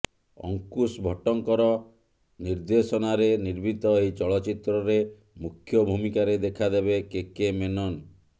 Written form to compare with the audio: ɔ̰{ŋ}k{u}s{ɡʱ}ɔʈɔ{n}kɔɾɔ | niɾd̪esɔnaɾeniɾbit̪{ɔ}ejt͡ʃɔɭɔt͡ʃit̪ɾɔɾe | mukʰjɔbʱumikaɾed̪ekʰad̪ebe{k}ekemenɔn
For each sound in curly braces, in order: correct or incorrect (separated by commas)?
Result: correct, correct, incorrect, incorrect, correct, correct